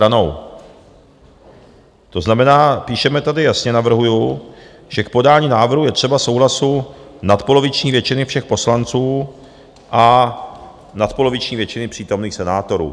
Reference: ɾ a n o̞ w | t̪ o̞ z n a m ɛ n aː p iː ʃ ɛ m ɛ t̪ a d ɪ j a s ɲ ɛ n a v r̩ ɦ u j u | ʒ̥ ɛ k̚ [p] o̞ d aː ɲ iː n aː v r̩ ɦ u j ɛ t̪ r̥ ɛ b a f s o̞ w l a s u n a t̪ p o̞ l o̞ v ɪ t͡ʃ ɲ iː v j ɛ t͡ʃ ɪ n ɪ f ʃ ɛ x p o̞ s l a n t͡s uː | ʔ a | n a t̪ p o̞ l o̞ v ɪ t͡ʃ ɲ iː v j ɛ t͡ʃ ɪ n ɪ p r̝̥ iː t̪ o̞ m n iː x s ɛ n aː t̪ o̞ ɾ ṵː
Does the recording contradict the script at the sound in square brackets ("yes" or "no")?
no